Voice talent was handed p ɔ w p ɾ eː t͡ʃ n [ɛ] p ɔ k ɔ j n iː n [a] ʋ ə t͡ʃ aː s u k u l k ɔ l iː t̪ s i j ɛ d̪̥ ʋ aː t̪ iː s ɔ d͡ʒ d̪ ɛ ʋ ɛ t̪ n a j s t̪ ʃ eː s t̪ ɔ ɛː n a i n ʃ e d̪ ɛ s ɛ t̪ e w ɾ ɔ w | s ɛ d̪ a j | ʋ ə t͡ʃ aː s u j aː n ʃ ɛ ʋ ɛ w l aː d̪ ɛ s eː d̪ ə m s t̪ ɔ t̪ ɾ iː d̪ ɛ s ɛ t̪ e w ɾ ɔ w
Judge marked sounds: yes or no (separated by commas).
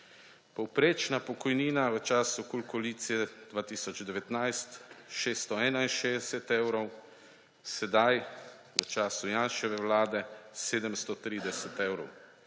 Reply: no, yes